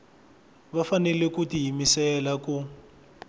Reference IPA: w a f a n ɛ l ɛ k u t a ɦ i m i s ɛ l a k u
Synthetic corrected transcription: β a f a n ɛ l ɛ k u t i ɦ i m i s ɛ l a k u